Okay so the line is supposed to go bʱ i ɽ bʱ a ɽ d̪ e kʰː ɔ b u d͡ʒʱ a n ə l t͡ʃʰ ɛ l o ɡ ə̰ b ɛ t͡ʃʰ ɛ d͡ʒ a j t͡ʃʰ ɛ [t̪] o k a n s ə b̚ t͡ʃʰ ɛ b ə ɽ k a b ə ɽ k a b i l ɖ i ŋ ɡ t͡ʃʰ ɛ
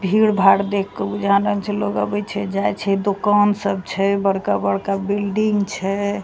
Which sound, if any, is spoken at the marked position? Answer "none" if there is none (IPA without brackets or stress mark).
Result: d̪